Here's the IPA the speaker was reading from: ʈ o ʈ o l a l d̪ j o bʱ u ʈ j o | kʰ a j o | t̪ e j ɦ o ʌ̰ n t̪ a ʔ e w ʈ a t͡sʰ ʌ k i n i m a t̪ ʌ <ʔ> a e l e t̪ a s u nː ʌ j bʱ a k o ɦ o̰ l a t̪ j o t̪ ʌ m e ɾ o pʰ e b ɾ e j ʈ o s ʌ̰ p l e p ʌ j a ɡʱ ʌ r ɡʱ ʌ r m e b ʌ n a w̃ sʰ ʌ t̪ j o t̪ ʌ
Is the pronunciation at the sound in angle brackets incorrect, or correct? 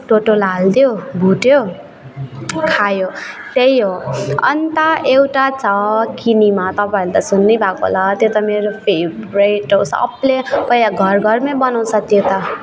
incorrect